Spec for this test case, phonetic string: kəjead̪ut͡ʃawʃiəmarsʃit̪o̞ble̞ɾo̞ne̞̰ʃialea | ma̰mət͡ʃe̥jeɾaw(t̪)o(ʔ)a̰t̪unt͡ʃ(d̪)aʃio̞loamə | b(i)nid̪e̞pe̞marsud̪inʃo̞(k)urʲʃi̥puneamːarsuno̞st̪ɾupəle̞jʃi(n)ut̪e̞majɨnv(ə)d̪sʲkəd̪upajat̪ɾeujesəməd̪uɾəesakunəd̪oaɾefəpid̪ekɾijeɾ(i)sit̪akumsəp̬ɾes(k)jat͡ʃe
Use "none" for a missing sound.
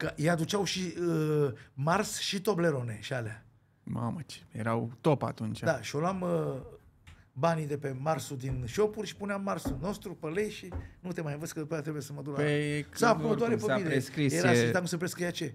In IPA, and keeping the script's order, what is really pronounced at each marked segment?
t̪, p, d̪, a, p, n, ə, a, k

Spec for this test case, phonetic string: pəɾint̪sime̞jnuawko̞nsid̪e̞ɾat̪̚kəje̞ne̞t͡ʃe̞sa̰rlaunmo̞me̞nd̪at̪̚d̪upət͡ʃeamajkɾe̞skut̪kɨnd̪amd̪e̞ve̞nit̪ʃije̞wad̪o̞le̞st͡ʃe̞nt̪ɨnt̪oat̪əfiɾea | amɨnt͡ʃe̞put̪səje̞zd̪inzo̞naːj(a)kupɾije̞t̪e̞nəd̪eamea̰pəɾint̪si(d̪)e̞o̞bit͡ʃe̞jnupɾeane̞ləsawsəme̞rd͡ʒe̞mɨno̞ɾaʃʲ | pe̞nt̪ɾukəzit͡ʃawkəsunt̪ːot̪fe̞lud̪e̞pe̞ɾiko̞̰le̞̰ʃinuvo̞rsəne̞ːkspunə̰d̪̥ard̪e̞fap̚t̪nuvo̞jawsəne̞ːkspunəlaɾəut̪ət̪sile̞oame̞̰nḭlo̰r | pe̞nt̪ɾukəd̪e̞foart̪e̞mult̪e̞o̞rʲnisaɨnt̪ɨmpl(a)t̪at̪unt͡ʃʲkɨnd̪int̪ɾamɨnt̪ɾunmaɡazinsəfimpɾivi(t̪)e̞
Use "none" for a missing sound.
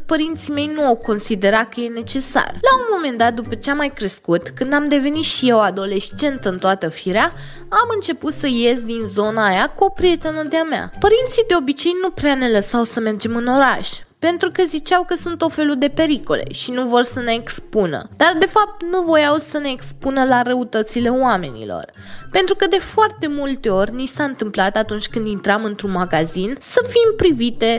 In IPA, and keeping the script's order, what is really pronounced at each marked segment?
a, d̪, a, t̪

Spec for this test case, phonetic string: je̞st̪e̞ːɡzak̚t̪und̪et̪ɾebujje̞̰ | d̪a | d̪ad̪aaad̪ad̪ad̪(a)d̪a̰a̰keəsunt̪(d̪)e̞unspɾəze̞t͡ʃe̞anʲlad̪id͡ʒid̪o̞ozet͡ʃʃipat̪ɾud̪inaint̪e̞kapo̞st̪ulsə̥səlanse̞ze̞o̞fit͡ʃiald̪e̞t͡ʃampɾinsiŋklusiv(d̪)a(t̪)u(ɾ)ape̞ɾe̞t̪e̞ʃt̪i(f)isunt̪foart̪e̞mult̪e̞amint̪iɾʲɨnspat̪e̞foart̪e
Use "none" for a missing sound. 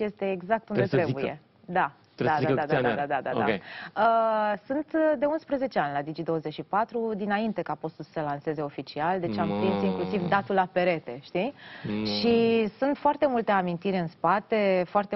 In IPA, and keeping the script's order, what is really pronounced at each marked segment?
a, d̪, d̪, t̪, l, ʃ

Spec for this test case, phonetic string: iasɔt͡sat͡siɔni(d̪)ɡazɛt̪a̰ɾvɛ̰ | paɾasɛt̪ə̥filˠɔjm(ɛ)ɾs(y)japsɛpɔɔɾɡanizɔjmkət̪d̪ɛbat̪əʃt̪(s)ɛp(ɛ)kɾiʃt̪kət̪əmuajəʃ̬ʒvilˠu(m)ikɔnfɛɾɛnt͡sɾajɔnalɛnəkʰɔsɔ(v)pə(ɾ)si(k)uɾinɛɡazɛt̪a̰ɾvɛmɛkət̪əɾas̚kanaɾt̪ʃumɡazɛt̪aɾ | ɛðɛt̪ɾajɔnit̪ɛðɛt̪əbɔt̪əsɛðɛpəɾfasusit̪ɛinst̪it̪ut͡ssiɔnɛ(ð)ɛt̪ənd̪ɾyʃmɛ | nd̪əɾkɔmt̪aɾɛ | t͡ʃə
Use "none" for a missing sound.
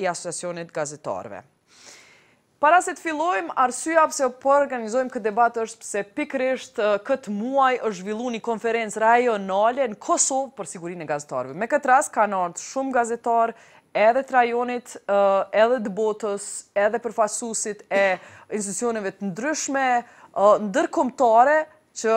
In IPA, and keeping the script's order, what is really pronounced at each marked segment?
t̪, a, y, s, i, n, v, ɾ, ɡ, v

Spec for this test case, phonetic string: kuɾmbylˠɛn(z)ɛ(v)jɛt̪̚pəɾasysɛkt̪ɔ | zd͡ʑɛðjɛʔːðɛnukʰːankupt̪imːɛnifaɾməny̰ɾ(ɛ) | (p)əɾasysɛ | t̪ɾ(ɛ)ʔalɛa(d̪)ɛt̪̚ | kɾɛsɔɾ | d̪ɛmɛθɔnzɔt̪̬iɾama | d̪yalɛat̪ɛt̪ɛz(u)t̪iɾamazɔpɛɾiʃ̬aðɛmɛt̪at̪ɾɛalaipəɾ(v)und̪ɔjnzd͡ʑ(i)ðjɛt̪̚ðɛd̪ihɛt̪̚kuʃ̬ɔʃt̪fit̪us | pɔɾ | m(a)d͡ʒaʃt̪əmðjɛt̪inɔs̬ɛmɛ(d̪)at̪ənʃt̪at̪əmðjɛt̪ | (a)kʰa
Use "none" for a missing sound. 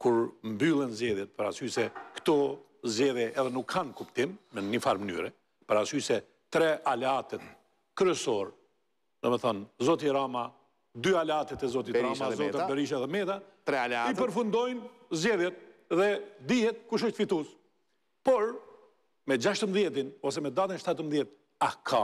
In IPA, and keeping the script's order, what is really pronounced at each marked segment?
z, ð, ɛ, p, ɛ, t̪, ɔ, f, ɛ, ɛ, d̪, a

